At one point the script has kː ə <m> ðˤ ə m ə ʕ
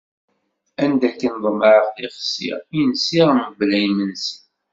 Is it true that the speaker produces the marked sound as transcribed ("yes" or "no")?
no